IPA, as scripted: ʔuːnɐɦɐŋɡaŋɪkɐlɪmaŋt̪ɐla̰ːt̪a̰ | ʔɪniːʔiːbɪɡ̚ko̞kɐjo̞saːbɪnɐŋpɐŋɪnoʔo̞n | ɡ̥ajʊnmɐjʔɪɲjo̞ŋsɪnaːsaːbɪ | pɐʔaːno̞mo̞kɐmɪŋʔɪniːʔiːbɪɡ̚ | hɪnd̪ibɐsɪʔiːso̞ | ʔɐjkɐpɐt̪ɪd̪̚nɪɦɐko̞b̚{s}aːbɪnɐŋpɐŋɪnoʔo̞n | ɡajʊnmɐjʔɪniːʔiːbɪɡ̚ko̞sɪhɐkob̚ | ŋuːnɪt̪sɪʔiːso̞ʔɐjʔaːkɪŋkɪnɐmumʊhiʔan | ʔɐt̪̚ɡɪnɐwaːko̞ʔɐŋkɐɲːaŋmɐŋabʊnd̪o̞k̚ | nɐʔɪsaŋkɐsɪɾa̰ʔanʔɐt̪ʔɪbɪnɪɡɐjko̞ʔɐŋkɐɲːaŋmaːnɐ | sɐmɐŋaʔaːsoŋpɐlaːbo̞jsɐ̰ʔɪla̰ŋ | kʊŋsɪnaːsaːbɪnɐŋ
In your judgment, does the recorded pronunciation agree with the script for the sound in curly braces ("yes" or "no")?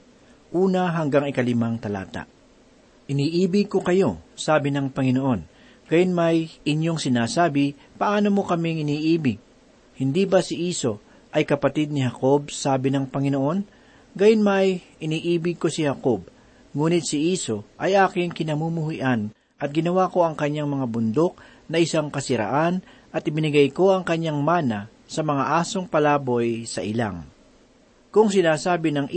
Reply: yes